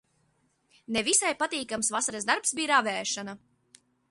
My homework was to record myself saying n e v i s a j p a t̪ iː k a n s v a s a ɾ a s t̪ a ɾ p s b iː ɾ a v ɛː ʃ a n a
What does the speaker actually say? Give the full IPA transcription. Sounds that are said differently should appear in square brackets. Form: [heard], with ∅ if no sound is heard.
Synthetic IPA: n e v i s a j p a t̪ iː k a [m] s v a s a ɾ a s [d̪] a ɾ p s b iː ɾ a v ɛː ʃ a n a